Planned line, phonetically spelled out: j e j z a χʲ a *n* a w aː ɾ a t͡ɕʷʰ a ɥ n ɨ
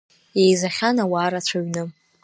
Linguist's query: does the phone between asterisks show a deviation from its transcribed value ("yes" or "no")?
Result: no